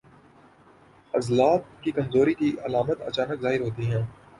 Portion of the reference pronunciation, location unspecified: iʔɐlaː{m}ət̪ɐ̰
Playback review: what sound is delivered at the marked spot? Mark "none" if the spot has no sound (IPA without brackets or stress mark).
m